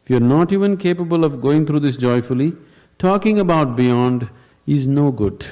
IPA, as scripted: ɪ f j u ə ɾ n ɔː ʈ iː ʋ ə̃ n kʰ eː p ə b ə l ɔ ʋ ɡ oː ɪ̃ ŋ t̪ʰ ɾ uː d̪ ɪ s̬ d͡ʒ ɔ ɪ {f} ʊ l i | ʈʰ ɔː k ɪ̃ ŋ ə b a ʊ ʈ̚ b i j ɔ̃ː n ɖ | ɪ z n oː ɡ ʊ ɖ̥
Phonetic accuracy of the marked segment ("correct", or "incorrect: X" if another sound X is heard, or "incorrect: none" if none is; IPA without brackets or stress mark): correct